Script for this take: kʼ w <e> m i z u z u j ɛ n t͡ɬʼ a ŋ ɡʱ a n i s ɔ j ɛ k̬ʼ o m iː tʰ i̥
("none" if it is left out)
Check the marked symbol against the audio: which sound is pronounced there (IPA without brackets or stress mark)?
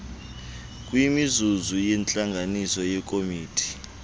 i